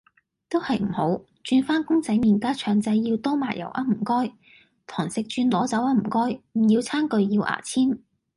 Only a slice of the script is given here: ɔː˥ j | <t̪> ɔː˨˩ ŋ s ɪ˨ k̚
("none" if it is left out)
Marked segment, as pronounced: t̪ʰ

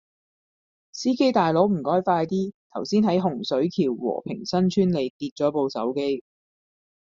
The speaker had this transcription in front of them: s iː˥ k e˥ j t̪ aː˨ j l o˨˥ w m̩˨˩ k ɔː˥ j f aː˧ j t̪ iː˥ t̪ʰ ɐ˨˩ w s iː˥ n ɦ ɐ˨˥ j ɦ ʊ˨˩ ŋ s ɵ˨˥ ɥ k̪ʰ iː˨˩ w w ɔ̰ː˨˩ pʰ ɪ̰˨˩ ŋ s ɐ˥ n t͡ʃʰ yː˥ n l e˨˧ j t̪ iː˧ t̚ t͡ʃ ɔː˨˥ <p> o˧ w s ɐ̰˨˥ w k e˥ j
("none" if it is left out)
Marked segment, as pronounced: p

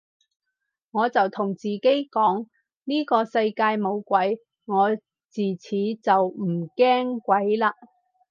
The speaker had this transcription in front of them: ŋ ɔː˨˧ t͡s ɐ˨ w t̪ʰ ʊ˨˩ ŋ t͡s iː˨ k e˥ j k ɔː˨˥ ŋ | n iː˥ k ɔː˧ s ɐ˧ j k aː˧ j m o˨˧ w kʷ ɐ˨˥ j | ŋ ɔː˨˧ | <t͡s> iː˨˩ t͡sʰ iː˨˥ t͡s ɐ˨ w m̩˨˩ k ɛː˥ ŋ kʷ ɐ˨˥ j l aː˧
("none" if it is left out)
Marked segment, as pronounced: t͡s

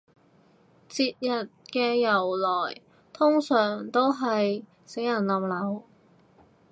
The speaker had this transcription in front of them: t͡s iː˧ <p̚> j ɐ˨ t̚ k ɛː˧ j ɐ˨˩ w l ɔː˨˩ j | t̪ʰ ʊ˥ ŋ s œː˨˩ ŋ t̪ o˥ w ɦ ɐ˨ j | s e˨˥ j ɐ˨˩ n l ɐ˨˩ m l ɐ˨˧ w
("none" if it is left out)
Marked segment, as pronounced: t̚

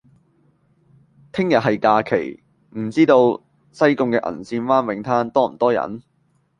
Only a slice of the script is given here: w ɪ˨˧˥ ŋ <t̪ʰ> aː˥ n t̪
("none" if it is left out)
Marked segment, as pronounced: t̪ʰ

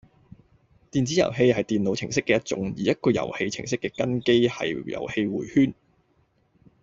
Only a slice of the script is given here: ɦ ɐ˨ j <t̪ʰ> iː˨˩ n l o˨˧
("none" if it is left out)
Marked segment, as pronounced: t̪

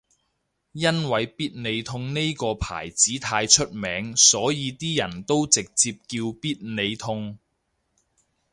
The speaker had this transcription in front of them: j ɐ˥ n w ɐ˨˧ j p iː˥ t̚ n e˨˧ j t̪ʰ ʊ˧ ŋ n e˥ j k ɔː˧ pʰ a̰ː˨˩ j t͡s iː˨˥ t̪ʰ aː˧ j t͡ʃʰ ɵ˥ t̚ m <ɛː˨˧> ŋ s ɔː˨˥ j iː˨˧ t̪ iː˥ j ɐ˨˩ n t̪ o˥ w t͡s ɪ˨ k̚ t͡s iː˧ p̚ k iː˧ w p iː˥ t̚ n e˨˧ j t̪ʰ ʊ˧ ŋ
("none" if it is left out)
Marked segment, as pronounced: ɛː˨˧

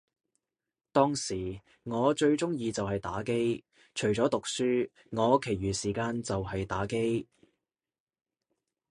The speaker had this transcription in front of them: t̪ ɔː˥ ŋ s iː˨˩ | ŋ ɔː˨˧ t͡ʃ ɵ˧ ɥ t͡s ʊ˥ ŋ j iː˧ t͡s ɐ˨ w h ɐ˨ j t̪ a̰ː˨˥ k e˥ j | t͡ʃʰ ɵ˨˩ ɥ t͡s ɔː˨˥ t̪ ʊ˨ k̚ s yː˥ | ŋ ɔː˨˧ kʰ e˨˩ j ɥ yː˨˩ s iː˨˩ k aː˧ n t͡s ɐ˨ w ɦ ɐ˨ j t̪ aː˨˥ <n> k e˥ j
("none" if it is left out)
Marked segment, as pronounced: none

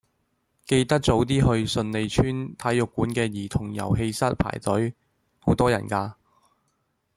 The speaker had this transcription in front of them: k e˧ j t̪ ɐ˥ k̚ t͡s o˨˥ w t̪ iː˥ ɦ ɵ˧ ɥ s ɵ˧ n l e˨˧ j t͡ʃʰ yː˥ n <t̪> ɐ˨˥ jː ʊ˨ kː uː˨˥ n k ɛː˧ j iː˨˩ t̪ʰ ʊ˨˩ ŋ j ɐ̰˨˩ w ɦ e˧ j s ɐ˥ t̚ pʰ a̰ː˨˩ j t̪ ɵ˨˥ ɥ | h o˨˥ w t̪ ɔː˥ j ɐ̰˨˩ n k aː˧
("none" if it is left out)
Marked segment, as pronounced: t̪ʰ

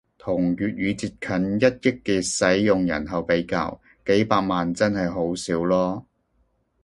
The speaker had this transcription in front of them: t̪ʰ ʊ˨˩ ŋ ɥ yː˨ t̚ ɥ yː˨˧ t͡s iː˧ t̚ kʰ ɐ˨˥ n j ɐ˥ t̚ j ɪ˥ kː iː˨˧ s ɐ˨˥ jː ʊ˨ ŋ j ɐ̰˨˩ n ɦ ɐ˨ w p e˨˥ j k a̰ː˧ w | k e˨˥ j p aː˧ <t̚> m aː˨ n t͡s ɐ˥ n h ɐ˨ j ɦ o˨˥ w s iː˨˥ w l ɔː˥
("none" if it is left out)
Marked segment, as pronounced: k̚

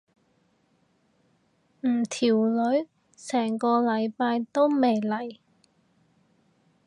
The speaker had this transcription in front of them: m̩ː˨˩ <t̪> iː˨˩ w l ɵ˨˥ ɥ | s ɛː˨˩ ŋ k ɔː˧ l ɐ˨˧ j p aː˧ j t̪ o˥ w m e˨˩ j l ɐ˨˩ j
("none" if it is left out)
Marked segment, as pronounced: t̪ʰ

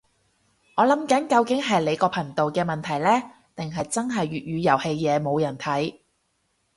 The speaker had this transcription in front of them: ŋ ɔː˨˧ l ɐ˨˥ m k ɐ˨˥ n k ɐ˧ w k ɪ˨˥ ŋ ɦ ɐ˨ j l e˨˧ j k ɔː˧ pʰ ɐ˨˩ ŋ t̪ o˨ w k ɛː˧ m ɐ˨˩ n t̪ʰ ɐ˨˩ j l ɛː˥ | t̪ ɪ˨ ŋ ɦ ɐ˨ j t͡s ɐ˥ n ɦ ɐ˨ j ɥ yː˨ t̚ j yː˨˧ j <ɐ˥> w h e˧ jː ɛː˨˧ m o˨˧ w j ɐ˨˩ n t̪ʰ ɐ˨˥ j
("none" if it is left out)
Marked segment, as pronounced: ɐ˨˩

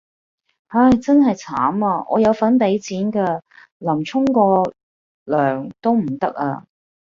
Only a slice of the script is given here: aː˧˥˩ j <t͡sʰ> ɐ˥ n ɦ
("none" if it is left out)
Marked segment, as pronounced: t͡s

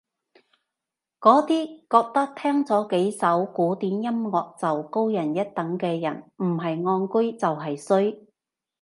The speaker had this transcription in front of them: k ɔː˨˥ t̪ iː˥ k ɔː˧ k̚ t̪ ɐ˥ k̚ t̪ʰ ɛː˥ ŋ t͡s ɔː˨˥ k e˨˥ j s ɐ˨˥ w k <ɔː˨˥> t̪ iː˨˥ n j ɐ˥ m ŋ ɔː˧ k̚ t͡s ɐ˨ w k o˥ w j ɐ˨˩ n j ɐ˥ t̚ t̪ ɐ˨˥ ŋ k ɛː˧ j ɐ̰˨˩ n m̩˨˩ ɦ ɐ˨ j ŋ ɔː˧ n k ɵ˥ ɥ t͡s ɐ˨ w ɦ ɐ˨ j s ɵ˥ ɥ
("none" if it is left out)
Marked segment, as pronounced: uː˨˥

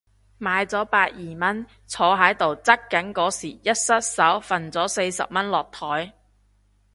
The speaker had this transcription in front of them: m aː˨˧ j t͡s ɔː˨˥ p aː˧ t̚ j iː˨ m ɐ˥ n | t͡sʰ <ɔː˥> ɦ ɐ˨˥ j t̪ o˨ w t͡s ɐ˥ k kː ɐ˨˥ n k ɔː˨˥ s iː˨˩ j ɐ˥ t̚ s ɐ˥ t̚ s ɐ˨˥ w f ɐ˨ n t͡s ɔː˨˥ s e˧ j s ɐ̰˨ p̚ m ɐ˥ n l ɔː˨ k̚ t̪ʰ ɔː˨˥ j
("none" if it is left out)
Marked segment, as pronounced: ɔː˨˧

